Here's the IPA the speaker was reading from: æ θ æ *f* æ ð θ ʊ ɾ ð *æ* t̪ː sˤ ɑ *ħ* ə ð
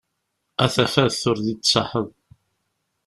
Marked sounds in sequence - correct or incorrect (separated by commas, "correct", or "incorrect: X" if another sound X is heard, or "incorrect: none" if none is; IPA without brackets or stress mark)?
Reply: correct, incorrect: i, correct